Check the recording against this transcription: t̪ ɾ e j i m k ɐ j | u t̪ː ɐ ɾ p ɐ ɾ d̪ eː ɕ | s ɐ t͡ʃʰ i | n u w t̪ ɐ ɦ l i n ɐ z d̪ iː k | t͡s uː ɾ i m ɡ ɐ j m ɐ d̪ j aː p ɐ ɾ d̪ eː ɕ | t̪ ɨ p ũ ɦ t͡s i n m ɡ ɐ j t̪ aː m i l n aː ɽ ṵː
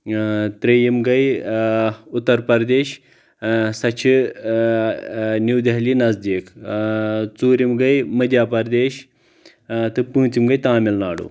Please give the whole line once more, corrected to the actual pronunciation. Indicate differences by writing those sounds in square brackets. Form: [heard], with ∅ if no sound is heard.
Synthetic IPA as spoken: t̪ ɾ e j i m [ɡ] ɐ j | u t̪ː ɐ ɾ p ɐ ɾ d̪ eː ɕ | s ɐ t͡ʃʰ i | n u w [d̪] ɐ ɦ l i n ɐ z d̪ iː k | t͡s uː ɾ i m ɡ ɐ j m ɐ d̪ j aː p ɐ ɾ d̪ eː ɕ | t̪ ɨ p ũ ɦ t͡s i [∅] m ɡ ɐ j t̪ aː m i l n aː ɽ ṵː